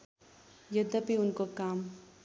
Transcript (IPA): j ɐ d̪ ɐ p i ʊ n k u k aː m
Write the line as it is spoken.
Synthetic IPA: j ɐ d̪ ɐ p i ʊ n k o k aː m